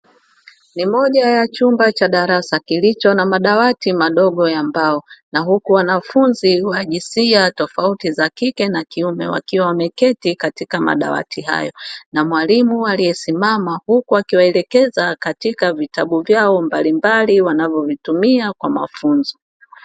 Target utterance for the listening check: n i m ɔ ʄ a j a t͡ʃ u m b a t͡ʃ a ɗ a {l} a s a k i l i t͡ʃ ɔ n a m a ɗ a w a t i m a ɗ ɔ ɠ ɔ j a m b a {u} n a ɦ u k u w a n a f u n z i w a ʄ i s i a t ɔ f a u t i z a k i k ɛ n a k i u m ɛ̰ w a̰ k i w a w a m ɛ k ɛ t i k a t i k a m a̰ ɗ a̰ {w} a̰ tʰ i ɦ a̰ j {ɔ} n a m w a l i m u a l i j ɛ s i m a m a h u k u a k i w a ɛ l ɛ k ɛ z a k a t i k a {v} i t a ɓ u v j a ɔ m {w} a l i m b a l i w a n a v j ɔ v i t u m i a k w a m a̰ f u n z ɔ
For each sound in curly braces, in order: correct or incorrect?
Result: incorrect: ɾ, incorrect: ɔ, correct, correct, correct, incorrect: b

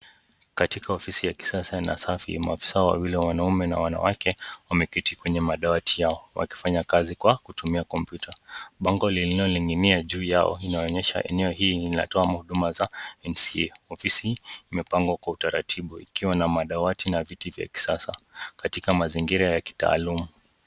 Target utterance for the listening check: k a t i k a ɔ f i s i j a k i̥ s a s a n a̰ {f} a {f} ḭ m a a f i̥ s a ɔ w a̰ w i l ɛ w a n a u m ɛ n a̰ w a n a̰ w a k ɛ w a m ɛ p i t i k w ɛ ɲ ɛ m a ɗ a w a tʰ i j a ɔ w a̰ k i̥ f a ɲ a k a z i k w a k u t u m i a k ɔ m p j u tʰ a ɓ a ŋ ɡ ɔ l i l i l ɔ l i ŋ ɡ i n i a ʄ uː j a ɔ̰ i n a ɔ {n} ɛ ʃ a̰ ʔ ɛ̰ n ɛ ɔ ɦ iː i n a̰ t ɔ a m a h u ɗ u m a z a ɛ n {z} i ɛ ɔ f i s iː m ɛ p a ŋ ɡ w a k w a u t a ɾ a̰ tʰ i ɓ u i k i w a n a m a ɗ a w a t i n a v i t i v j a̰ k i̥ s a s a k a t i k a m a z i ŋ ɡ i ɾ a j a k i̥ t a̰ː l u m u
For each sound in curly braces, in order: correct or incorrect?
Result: incorrect: s, correct, incorrect: ɲ, incorrect: s

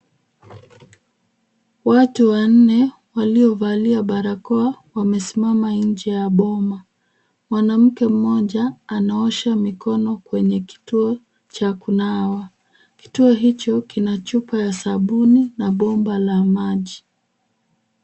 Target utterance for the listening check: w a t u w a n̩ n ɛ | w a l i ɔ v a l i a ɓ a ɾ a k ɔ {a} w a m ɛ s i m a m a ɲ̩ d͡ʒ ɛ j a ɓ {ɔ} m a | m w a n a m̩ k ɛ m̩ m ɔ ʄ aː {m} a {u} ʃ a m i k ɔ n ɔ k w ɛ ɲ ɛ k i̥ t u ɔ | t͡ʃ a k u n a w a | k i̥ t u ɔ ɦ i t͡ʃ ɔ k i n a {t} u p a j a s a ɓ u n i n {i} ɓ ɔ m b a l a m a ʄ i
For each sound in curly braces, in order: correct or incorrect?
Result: correct, correct, incorrect: n, incorrect: ɔ, incorrect: t͡ʃ, incorrect: a

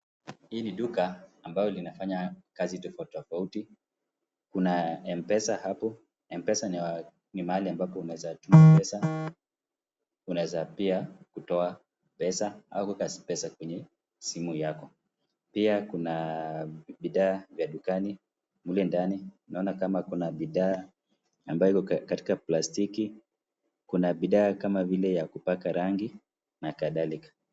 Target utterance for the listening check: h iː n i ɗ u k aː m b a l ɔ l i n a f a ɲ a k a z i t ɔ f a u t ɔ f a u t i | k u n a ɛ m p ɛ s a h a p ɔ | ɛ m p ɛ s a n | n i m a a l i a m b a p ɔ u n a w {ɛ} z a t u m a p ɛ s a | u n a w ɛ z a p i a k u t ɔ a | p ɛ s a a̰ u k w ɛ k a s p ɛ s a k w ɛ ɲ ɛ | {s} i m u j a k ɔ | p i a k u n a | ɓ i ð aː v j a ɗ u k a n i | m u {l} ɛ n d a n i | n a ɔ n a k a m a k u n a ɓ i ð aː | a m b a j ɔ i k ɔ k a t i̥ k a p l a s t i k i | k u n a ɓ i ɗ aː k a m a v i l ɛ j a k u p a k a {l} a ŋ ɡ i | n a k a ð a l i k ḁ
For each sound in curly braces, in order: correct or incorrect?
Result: correct, correct, correct, incorrect: ɾ

